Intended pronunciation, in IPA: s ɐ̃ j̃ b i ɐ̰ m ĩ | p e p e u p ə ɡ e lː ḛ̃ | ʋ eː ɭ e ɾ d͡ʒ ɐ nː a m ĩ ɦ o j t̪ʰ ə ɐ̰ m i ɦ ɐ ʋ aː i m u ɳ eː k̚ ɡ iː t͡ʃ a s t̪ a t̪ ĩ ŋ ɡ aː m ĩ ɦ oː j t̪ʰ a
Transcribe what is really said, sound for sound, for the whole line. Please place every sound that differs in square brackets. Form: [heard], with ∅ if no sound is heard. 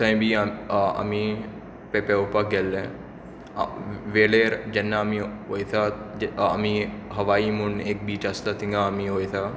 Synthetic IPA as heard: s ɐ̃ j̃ b i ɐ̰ m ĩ | p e p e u p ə ɡ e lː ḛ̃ | ʋ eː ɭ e ɾ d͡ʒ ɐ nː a m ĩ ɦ o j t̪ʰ [a] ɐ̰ m i ɦ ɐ ʋ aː i m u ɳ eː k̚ [b] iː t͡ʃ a s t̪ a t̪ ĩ ŋ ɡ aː m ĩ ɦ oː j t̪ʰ a